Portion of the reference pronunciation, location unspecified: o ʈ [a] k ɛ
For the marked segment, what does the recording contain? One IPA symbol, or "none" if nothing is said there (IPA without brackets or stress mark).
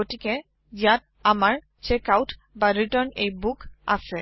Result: i